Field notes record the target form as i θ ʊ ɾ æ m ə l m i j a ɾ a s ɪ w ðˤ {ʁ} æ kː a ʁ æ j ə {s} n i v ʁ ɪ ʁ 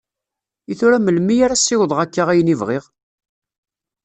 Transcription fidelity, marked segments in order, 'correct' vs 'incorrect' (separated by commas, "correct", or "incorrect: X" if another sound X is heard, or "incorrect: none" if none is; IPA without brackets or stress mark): correct, incorrect: none